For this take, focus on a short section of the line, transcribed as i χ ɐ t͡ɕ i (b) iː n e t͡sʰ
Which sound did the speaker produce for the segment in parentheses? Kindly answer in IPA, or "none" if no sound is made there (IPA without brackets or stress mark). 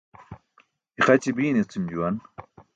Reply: b